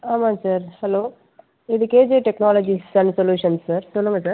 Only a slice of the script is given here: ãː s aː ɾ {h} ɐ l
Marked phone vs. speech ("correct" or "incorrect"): correct